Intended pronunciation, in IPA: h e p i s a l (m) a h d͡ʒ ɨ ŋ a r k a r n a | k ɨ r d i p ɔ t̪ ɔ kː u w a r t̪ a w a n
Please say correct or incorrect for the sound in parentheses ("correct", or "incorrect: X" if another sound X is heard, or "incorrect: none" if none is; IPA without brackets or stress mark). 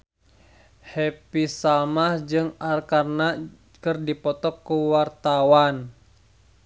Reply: correct